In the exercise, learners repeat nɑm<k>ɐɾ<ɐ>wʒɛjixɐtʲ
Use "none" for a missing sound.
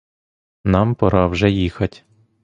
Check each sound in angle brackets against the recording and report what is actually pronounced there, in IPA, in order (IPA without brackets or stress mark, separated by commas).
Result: p, ɑ